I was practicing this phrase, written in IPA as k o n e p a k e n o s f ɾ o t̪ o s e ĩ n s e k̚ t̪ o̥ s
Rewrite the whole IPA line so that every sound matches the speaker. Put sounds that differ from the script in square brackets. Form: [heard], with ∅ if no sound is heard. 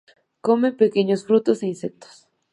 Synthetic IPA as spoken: k o [m] e p [e] k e [ɲ] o s f ɾ [u] t̪ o s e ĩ n s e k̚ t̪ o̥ s